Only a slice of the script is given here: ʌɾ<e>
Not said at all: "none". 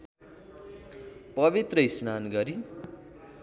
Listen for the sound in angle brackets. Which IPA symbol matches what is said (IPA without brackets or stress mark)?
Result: i